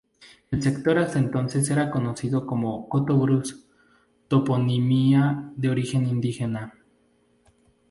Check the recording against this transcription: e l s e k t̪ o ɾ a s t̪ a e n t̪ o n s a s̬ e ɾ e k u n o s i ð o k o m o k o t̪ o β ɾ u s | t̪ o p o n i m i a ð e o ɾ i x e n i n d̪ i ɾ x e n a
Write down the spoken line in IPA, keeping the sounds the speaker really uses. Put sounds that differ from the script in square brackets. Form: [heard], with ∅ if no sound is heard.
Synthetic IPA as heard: e l s e k t̪ o ɾ a s t̪ a e n t̪ o n s [e] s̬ e ɾ [a] k [o] n o s i ð o k o m o k o t̪ o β ɾ u s | t̪ o p o n i m i a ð e o ɾ i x e n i n d̪ i [∅] x e n a

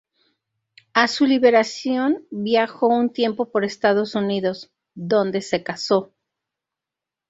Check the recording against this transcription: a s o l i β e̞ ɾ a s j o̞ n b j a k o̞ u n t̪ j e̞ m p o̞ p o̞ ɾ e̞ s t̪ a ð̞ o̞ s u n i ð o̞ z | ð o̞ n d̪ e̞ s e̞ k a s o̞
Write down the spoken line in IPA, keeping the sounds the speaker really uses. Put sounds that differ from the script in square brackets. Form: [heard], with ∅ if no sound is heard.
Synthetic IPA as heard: a s [u] l i β e̞ ɾ a s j o̞ n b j a [x] o̞ u n t̪ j e̞ m p o̞ p o̞ ɾ e̞ s t̪ a ð̞ o̞ s u n i ð o̞ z | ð o̞ n d̪ e̞ s e̞ k a s o̞

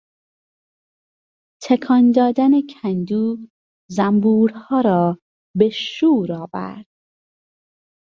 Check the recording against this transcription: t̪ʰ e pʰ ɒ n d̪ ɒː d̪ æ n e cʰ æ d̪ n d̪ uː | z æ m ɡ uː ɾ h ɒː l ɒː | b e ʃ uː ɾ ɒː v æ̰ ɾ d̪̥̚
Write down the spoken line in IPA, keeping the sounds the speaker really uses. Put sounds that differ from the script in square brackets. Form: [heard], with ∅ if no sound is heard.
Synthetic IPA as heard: t̪ʰ e [kʰ] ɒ n d̪ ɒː d̪ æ n e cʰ æ [∅] n d̪ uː | z æ m [b] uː ɾ h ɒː [ɾ] ɒː | b e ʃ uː ɾ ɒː v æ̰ ɾ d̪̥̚

